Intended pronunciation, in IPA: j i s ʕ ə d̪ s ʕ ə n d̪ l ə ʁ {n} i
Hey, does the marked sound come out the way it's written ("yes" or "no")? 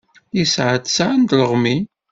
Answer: no